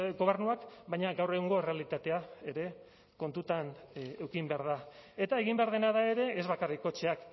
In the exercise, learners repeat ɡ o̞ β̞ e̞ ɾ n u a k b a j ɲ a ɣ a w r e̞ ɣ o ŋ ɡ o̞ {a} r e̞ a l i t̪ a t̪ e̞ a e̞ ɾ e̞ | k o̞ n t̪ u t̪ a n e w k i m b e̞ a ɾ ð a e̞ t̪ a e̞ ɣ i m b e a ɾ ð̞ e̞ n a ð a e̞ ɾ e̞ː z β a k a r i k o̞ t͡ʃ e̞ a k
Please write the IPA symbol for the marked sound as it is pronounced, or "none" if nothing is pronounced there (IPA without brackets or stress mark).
e